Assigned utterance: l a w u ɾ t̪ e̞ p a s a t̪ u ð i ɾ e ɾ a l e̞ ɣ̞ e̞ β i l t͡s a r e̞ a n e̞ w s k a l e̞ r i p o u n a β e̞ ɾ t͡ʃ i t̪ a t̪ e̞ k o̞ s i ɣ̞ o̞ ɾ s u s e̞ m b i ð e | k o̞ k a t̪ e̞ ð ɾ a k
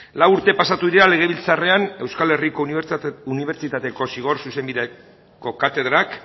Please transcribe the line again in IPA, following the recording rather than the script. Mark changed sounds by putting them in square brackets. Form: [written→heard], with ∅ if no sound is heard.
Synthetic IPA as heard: l a w u ɾ t̪ e̞ p a s a t̪ u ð i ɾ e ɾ a l e̞ ɣ̞ e̞ β i l t͡s a r e̞ a n e̞ w s k a l e̞ r i [p→k] o u n [a→i] β e̞ ɾ t͡ʃ i t̪ a t̪ e̞ k o̞ s i ɣ̞ o̞ ɾ s u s e̞ m b i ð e | k o̞ k a t̪ e̞ ð ɾ a k